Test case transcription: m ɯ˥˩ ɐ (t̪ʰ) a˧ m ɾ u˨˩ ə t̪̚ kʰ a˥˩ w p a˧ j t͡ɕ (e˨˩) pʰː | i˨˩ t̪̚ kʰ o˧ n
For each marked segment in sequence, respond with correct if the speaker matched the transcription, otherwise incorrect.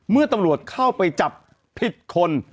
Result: incorrect, incorrect

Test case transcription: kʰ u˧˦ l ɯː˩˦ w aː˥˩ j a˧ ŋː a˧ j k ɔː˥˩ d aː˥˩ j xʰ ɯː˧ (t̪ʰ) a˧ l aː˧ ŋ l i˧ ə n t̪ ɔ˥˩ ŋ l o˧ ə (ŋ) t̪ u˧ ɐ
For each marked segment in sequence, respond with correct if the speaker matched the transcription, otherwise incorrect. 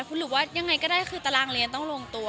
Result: incorrect, correct

